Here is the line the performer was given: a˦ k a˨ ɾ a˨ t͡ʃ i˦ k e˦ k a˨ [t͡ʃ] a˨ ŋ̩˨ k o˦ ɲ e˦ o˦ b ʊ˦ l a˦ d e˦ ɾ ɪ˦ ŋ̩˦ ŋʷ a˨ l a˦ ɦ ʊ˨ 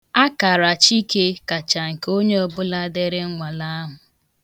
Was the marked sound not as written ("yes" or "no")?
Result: no